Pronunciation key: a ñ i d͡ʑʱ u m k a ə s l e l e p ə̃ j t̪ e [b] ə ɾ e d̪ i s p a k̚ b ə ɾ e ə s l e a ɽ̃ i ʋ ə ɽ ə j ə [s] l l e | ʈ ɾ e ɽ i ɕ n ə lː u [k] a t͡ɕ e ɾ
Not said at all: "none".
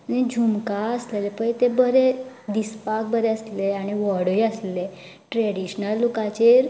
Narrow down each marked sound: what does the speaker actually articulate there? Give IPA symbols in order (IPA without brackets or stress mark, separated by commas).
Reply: b, s, k